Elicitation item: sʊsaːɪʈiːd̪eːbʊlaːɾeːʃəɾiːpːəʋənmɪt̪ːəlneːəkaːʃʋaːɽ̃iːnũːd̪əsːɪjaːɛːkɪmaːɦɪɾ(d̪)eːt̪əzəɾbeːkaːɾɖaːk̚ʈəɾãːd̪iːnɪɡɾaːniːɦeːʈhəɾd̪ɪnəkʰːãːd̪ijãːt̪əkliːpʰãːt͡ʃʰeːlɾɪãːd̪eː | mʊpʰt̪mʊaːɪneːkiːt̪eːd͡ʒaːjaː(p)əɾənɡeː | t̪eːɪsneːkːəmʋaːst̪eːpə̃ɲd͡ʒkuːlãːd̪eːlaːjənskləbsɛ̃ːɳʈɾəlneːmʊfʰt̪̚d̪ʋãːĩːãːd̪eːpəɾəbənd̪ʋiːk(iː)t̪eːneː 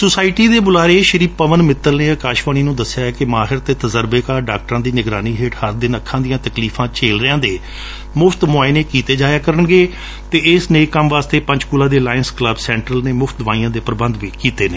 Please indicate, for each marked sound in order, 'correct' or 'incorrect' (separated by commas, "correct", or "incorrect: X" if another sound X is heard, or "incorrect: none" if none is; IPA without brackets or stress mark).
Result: incorrect: t̪, incorrect: k, correct